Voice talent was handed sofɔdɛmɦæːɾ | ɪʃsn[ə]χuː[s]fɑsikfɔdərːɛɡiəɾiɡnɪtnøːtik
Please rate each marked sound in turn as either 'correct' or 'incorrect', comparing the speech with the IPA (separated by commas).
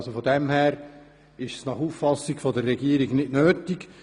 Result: incorrect, incorrect